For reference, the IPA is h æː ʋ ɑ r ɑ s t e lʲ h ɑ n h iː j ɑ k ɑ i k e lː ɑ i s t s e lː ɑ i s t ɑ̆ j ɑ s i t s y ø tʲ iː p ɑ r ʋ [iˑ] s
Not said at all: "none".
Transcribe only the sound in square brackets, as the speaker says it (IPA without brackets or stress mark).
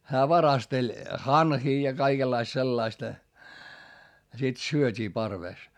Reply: eˑ